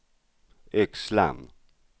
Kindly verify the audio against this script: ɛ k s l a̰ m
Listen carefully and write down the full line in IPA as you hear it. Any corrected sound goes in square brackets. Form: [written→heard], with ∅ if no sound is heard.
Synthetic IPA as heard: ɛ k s l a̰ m

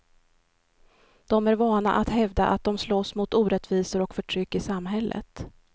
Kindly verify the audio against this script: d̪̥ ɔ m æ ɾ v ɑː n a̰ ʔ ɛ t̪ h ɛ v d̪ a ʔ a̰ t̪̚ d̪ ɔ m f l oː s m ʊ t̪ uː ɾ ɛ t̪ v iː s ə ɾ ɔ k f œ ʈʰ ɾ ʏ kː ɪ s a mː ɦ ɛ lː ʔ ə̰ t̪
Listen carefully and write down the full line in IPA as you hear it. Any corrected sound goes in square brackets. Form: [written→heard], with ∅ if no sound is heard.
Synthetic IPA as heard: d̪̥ ɔ m æ ɾ v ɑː n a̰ ʔ [ɛ→a] t̪ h ɛ v d̪ a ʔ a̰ t̪̚ d̪ ɔ m [f→s] l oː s m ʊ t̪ uː ɾ ɛ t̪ v iː s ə ɾ ɔ k f œ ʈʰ ɾ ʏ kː ɪ s a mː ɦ ɛ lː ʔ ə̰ t̪

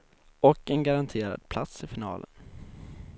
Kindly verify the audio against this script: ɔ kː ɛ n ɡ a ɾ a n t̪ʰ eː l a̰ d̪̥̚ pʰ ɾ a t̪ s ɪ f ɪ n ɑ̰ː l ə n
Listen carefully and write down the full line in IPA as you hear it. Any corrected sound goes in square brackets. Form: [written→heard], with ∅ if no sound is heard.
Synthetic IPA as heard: ɔ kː ɛ n ɡ a ɾ a n t̪ʰ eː [l→ɾ] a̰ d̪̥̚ pʰ [ɾ→l] a t̪ s ɪ f ɪ n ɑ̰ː l ə n

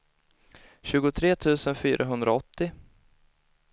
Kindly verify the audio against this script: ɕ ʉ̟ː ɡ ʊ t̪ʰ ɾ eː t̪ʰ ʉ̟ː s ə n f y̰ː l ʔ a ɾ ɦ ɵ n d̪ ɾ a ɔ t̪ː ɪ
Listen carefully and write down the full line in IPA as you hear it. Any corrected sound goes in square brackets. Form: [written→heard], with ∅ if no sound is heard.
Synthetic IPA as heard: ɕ ʉ̟ː ɡ ʊ t̪ʰ ɾ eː t̪ʰ ʉ̟ː s ə n f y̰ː [l→ɾ] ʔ a [ɾ→∅] ɦ ɵ n d̪ ɾ a ɔ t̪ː ɪ

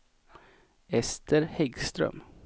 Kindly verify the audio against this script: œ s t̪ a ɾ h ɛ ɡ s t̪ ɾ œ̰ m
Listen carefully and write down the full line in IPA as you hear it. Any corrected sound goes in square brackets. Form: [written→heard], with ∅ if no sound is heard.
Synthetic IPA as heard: [œ→ɛ] s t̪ [a→ə] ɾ h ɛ ɡ s t̪ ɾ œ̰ m

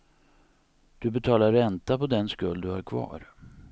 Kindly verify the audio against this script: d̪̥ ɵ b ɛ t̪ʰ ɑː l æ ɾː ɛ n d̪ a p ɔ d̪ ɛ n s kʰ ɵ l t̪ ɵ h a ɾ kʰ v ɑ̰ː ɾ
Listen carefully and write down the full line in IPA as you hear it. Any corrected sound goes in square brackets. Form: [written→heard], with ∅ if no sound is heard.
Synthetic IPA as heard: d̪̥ ɵ b ɛ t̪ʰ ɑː l [æ→a] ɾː ɛ n [d̪→t̪] a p ɔ d̪ ɛ n s [kʰ→k] ɵ l [t̪→d̪] ɵ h a ɾ kʰ v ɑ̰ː ɾ

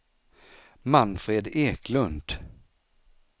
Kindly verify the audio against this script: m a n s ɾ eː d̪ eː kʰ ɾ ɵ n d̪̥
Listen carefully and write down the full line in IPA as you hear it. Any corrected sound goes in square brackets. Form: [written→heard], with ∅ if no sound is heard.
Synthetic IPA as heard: m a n [s→f] ɾ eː d̪ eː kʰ [ɾ→l] ɵ n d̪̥

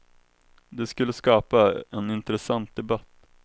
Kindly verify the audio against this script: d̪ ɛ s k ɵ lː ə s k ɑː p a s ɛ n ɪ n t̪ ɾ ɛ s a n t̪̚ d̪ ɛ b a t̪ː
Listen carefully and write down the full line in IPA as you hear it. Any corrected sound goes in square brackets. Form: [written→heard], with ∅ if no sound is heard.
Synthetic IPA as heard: d̪ ɛ s k ɵ lː ə s k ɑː p a [s→∅] ɛ n ɪ n t̪ ɾ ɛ s a n t̪̚ d̪ ɛ b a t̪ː

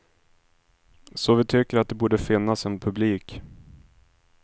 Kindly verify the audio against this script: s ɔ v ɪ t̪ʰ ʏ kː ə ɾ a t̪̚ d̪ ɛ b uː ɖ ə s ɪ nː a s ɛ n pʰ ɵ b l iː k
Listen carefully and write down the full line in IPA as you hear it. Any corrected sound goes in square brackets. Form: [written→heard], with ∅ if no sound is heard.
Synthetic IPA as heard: s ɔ v ɪ t̪ʰ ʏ kː ə ɾ a t̪̚ d̪ ɛ b uː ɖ ə [s→f] ɪ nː a s ɛ n pʰ ɵ b l iː k

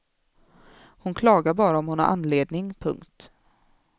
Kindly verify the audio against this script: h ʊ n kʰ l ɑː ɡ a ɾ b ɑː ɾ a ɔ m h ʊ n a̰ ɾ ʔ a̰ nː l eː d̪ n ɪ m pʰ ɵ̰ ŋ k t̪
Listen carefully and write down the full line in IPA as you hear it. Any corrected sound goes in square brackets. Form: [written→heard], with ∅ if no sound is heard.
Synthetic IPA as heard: h ʊ n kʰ l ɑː ɡ a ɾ b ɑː ɾ a ɔ m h ʊ n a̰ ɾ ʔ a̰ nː l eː d̪ n ɪ [m→ŋ] pʰ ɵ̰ ŋ k t̪

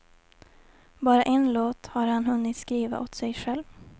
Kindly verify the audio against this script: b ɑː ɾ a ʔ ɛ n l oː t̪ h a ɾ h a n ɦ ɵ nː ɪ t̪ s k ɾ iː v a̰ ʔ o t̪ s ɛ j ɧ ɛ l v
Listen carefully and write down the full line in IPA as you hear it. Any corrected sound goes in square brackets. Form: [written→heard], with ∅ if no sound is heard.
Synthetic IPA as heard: b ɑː ɾ a ʔ ɛ n l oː t̪ h a ɾ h a n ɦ ɵ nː ɪ t̪ s k ɾ iː v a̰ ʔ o t̪ s ɛ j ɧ ɛ l v

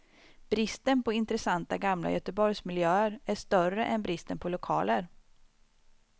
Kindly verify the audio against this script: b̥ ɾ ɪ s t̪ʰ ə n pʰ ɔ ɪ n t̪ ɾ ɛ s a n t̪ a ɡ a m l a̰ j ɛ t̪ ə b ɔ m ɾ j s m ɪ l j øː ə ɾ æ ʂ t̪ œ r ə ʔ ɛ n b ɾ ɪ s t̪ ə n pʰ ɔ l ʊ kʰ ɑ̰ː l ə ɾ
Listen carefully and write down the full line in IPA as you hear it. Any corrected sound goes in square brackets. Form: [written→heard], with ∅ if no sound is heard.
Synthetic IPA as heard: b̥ ɾ ɪ s [t̪ʰ→t̪] ə n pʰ ɔ ɪ n t̪ ɾ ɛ s a n t̪ a ɡ a m l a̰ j [ɛ→œ] t̪ ə b ɔ [m→∅] ɾ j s m ɪ l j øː ə ɾ æ ʂ t̪ œ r ə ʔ ɛ n b ɾ ɪ s t̪ ə n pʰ ɔ l ʊ kʰ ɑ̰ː l ə ɾ

